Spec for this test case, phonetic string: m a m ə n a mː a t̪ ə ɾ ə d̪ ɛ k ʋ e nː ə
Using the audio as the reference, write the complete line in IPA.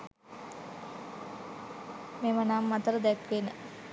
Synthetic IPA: m e m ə n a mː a t̪ ə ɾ ə d̪ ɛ k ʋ e n ə